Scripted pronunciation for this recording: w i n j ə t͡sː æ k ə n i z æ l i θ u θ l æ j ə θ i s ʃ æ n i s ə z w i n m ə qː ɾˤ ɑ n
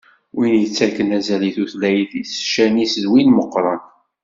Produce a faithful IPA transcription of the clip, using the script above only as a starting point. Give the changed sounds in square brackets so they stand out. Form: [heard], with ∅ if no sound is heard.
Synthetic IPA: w i n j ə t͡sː æ k ə n [æ] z æ l i θ u θ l æ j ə θ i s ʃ æ n i s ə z w i n m ə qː ɾˤ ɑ n